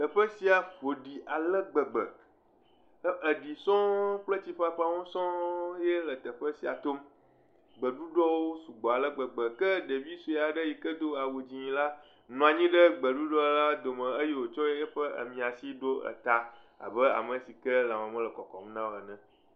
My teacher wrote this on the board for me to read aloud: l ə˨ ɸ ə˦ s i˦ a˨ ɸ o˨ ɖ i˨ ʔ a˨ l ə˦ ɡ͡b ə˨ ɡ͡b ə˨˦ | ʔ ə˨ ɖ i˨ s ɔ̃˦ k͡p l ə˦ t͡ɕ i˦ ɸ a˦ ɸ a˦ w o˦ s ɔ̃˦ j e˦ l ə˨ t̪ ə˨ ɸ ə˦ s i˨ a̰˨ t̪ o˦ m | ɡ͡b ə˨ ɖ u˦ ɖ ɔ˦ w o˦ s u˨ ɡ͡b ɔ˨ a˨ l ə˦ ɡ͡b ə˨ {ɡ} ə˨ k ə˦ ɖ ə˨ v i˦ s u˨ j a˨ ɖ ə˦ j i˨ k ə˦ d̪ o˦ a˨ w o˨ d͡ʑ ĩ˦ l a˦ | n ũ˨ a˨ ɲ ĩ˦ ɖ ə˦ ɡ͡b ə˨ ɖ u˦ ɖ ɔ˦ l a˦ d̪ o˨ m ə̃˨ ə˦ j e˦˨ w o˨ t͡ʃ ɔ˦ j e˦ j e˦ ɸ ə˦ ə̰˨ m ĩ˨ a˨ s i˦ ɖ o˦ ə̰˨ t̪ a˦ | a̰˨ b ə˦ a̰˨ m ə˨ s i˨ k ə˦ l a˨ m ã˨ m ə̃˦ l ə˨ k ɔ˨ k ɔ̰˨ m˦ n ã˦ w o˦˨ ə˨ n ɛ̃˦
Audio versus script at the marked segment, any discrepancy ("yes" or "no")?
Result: yes